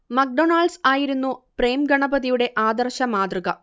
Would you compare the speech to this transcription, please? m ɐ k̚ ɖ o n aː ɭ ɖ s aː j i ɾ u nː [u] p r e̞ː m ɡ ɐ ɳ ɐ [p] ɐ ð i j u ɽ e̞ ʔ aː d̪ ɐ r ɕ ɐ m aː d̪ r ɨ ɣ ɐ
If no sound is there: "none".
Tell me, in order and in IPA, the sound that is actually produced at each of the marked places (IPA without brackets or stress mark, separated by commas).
u, b